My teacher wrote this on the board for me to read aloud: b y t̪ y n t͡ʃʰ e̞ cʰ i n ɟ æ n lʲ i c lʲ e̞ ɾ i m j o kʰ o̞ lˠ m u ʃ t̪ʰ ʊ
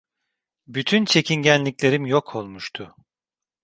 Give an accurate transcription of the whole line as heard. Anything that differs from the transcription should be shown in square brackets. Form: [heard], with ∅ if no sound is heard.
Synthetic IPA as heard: b y [t̪ʰ] y n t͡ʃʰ e̞ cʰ i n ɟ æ n lʲ i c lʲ e̞ ɾ i m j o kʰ o̞ lˠ m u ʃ t̪ʰ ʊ